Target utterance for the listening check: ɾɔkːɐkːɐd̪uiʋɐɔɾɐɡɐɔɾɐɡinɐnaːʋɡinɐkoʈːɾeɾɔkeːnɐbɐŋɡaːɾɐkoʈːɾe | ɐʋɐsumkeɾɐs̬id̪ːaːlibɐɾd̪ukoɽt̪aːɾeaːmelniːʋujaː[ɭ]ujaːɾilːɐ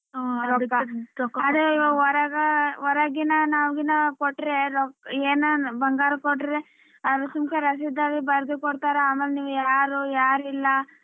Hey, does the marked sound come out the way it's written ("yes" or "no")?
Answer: no